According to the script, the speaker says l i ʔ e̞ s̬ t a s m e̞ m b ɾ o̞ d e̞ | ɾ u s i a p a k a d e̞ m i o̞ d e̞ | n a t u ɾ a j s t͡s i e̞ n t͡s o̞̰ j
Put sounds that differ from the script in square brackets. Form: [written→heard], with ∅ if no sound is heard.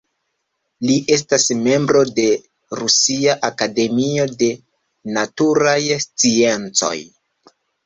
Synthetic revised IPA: l i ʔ e̞ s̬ t a s m e̞ m b ɾ o̞ d e̞ | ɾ u s i a [p→ʔ] a k a d e̞ m i o̞ d e̞ | n a t u ɾ a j s t͡s i e̞ n t͡s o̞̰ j